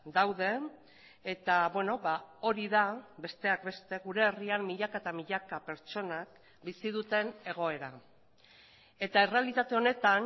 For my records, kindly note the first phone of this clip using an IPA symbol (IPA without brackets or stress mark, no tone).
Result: d̪